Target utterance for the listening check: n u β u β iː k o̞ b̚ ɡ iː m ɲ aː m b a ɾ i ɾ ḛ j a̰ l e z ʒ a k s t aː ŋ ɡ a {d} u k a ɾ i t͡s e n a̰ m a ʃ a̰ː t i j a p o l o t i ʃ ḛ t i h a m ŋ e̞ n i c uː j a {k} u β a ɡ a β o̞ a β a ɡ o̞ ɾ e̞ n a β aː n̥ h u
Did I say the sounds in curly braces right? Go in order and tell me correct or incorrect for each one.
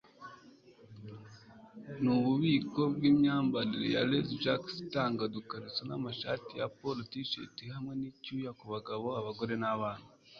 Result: correct, correct

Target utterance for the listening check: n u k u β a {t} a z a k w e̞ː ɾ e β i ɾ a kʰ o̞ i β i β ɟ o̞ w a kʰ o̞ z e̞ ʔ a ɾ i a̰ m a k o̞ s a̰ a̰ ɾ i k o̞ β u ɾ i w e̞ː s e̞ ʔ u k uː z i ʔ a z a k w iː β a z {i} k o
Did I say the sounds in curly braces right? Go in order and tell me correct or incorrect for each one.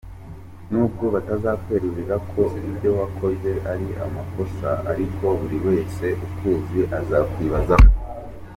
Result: correct, incorrect: a

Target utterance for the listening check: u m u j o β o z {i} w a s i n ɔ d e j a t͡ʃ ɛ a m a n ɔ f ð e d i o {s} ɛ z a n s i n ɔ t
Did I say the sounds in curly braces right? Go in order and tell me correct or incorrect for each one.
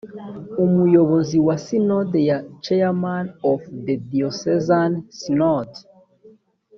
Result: correct, correct

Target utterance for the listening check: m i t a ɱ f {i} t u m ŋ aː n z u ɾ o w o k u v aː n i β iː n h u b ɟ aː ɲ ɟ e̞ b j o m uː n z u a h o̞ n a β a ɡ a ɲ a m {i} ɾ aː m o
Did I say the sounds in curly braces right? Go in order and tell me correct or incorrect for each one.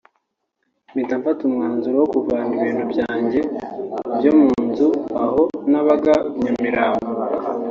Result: incorrect: a, correct

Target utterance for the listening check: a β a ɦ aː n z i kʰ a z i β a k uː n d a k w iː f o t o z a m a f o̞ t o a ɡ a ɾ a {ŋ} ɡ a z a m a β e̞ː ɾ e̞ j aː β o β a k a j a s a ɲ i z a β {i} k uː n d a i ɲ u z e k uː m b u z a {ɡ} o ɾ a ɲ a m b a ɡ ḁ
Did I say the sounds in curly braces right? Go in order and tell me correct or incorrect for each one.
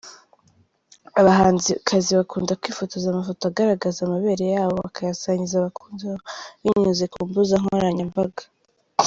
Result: incorrect: none, incorrect: a, incorrect: ŋ

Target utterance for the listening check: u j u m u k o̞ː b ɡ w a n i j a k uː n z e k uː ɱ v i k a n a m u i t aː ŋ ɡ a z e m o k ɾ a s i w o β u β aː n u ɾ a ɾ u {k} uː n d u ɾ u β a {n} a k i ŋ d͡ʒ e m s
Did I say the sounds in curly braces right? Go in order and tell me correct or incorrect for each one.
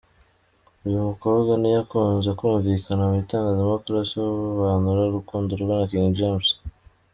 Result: correct, correct

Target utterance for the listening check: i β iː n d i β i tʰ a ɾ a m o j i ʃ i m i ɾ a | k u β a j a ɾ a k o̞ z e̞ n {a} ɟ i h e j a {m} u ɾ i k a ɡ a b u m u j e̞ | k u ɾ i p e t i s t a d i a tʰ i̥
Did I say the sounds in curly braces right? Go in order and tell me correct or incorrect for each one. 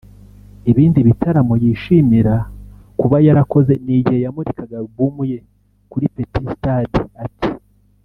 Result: incorrect: i, correct

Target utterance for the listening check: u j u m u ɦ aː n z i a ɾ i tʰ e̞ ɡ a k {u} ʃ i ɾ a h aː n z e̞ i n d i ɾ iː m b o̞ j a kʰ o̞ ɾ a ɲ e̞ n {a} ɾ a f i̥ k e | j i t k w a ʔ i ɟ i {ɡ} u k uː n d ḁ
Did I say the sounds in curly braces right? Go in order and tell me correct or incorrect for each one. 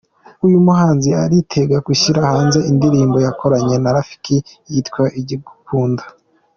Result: correct, correct, correct

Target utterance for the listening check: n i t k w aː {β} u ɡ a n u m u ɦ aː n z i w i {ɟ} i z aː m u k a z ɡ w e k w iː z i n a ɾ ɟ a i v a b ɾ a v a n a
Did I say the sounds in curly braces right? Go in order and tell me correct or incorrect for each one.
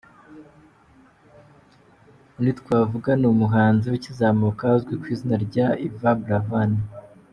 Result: incorrect: v, incorrect: c

